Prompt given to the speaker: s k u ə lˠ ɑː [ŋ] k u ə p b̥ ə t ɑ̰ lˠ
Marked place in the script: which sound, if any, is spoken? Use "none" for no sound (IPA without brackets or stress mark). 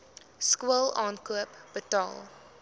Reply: n